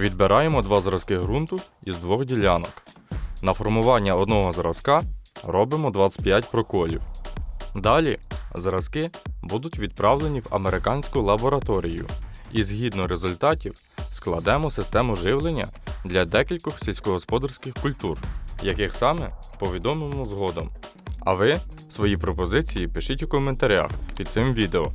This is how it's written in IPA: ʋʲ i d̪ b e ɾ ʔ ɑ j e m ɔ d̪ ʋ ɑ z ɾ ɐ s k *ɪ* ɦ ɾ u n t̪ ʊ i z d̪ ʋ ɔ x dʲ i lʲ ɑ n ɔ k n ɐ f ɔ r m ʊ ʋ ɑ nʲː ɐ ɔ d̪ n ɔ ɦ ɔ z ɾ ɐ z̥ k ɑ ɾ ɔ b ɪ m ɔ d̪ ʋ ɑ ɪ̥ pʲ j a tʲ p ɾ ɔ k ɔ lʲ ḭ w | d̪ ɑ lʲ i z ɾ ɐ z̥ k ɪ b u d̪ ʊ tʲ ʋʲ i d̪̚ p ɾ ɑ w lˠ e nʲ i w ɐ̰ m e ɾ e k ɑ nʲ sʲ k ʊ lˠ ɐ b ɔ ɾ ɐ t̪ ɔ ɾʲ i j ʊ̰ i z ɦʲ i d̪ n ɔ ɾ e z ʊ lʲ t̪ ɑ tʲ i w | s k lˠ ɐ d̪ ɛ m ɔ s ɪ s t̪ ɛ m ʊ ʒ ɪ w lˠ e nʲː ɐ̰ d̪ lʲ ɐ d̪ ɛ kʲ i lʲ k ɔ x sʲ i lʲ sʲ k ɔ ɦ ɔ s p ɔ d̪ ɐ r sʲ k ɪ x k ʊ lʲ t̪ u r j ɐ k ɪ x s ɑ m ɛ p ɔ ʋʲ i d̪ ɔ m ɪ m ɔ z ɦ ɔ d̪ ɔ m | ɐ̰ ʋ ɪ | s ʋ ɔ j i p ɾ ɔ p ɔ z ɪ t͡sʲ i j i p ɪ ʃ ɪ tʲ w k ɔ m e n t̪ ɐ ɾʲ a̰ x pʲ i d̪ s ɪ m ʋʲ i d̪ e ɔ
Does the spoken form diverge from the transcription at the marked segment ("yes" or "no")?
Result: no